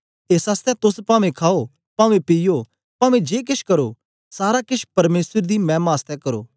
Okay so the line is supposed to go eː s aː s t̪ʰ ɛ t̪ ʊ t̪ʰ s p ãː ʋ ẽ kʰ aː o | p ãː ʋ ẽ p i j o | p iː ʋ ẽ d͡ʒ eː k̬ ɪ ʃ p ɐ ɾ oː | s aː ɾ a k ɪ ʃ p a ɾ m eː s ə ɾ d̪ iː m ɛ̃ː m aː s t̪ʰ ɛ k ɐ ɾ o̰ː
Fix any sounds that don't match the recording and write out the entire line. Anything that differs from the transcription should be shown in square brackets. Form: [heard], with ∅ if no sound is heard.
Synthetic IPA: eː s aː s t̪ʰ ɛ t̪ ʊ [∅] s p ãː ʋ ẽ kʰ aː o | p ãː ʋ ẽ p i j o | p [aː] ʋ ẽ d͡ʒ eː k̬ ɪ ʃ [k] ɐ ɾ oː | s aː ɾ a k ɪ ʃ p [ɐ] ɾ m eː s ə ɾ d̪ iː m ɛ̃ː m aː s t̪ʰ ɛ k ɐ ɾ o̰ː